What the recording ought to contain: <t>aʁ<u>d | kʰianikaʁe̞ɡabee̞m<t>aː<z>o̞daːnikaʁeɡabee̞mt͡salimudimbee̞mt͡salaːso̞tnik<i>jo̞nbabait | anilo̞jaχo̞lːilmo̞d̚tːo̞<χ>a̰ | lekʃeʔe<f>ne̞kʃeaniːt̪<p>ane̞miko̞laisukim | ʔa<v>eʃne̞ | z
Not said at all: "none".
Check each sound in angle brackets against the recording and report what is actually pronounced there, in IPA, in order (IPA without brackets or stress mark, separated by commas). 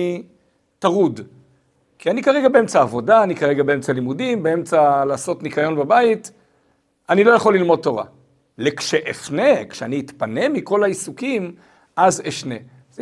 t, u, t͡s, v, a, ʁ, f, p, z